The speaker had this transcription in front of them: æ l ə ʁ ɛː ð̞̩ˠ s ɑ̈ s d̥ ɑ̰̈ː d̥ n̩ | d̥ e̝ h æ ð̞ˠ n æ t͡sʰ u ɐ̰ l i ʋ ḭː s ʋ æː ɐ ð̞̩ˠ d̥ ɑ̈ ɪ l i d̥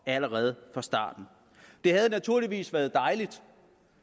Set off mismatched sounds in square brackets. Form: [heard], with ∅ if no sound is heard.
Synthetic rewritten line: æ l ə ʁ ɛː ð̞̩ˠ [f] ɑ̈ s d̥ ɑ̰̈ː d̥ n̩ | d̥ e̝ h æ ð̞ˠ n æ t͡sʰ u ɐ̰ l i ʋ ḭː s ʋ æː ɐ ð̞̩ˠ d̥ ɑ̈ ɪ l i d̥